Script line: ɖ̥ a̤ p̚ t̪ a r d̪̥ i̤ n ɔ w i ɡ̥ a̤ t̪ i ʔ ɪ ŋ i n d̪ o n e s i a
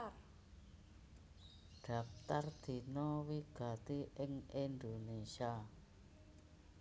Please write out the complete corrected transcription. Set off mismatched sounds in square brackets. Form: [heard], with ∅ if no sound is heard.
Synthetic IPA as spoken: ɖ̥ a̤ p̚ t̪ a r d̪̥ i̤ n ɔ w i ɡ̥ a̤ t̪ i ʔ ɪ ŋ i n d̪ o n e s i a